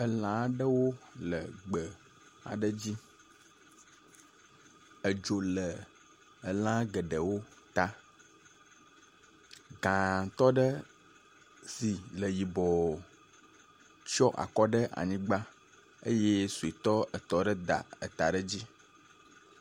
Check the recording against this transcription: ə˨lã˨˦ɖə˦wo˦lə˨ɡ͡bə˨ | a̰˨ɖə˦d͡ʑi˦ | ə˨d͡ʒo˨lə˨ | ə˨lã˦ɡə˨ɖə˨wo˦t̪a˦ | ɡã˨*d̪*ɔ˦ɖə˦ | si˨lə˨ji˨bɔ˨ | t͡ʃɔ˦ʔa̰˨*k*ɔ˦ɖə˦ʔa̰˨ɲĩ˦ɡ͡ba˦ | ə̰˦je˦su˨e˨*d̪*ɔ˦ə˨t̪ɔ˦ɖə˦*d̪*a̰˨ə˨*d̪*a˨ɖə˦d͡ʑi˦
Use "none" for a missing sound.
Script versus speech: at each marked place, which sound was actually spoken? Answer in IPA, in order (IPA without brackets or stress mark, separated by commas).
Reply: t̪, k, t̪, d̪, t̪